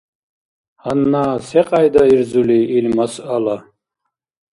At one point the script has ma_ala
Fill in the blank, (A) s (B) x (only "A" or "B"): A